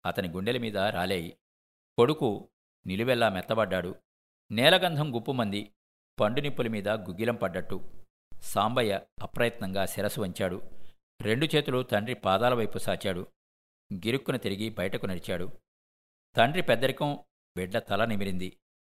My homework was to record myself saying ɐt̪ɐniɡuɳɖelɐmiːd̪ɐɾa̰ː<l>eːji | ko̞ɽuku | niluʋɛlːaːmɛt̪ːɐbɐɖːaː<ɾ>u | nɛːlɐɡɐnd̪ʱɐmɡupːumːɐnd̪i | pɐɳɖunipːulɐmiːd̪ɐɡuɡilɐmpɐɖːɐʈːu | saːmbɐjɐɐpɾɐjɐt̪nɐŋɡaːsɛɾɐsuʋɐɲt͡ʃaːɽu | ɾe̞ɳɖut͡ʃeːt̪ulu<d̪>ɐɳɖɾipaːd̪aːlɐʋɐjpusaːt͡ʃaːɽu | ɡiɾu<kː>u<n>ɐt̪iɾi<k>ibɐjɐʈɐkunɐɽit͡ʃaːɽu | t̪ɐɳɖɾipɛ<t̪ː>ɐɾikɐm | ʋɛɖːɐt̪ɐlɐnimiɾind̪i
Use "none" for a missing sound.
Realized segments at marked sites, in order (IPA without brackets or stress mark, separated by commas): l, ɽ, t̪, kː, n, ɡ, d̪ː